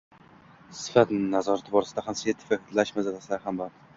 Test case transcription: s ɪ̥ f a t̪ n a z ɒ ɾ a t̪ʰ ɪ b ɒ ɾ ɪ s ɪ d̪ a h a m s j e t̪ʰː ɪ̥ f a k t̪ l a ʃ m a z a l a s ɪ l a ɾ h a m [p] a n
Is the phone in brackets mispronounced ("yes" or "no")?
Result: yes